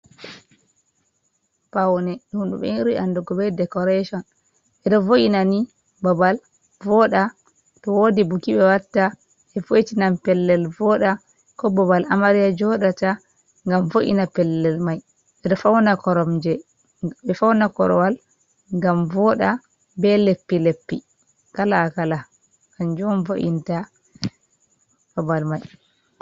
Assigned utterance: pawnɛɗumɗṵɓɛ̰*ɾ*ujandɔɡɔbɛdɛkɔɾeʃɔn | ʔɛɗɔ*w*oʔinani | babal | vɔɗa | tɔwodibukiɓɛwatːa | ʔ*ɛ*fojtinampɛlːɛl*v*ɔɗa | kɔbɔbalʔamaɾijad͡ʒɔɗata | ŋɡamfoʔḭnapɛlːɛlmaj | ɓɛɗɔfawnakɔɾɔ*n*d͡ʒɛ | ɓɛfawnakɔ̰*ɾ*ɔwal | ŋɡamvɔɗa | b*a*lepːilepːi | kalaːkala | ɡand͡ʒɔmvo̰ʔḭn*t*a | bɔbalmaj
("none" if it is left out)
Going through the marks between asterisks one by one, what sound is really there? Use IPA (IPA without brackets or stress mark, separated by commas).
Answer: ɾ, v, ɛ, v, m, ɾ, ɛ, t